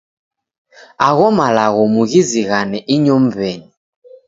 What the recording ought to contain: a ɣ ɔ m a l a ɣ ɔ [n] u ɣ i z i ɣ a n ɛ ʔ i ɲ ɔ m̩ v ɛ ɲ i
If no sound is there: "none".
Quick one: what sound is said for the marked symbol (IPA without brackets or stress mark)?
m